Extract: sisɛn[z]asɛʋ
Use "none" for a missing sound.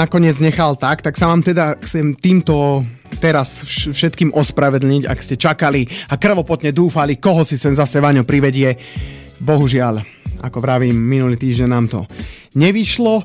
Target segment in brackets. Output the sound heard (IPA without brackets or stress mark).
z